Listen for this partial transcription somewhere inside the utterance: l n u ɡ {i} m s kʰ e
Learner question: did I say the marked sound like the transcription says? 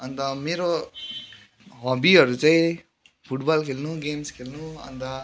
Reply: no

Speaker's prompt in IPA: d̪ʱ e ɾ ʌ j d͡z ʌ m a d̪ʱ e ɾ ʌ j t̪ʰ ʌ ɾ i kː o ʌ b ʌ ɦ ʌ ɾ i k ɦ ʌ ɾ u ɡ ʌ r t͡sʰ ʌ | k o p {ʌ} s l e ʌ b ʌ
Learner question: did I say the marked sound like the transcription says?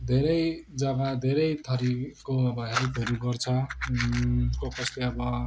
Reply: yes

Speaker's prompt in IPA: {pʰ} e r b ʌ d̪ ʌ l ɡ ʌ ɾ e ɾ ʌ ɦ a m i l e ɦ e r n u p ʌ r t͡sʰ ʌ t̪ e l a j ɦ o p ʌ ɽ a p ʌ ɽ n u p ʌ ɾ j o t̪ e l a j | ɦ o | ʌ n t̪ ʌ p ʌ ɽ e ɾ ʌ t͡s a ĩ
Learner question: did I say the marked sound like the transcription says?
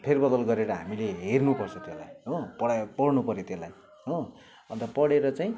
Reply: yes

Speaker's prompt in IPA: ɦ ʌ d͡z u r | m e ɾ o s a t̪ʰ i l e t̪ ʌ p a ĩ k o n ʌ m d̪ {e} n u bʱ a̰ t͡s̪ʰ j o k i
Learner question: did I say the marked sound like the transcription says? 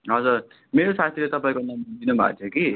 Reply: no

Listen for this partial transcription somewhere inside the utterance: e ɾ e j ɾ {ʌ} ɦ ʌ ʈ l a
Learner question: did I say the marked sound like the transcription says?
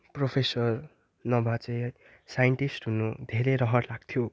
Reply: yes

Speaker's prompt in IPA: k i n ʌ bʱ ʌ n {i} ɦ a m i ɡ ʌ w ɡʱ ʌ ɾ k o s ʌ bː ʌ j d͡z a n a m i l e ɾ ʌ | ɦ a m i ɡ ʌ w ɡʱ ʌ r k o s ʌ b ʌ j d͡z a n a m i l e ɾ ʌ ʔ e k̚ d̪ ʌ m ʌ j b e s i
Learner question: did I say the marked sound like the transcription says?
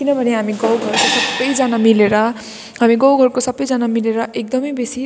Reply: no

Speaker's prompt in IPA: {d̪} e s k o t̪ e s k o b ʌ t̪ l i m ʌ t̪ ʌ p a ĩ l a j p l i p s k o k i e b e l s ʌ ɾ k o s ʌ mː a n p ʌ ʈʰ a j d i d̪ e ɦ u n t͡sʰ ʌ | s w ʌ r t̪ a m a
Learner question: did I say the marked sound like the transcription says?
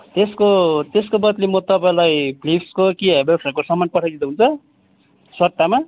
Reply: no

